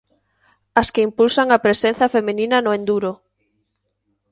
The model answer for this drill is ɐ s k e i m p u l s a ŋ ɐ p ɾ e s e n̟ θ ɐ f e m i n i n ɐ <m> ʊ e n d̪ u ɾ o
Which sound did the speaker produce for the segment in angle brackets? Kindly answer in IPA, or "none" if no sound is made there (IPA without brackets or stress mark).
n